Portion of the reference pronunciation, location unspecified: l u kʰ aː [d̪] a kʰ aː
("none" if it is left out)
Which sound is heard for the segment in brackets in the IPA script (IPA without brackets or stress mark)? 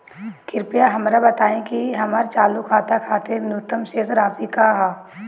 t̪